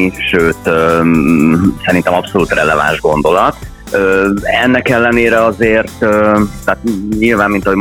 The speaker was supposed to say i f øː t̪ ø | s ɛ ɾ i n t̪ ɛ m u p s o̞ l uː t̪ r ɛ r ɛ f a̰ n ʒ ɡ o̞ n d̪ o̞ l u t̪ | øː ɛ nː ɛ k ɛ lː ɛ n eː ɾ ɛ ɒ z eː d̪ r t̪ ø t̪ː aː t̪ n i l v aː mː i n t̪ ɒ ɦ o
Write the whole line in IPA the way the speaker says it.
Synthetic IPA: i ʃ øː t̪ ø | s ɛ ɾ i n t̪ ɛ m ɒ p s o̞ l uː t̪ r ɛ l ɛ v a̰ n ʒ ɡ o̞ n d̪ o̞ l ɒ t̪ | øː ɛ nː ɛ k ɛ lː ɛ n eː ɾ ɛ ɒ z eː r t̪ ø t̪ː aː t̪ ɲ i l v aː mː i n t̪ ɒ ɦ o